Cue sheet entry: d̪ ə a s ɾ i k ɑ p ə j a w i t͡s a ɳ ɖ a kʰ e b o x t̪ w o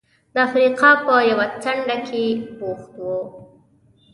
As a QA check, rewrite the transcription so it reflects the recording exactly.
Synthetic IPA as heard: d̪ ə a f ɾ i q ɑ p ə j a w a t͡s a ɳ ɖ a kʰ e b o x t̪ w o